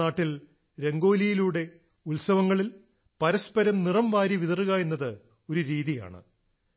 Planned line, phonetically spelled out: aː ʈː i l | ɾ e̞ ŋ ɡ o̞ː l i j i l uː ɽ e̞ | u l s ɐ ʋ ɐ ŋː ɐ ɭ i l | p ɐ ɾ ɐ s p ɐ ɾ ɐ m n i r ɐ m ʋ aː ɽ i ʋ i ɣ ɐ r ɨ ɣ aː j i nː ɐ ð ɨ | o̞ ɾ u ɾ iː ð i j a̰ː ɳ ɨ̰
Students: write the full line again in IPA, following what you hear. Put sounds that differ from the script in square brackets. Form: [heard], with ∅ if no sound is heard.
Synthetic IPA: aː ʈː i l | ɾ e̞ ŋ ɡ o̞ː l i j i l uː ɽ e̞ | u l s ɐ ʋ ɐ ŋː ɐ ɭ i l | p ɐ ɾ ɐ s p ɐ ɾ ɐ m n i r ɐ m ʋ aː [ɾ] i ʋ i [ð] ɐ r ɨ ɣ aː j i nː ɐ ð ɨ | o̞ ɾ u ɾ iː ð i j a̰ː ɳ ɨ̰